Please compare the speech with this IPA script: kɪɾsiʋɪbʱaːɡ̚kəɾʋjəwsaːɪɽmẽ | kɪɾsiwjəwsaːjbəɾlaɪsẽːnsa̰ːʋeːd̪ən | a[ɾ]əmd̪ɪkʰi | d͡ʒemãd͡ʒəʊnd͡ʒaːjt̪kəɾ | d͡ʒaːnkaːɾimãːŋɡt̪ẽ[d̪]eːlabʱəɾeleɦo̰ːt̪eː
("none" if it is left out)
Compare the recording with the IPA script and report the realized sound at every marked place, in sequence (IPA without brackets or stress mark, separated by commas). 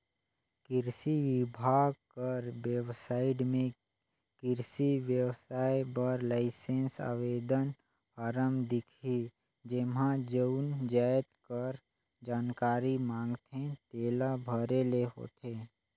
ɾ, t̪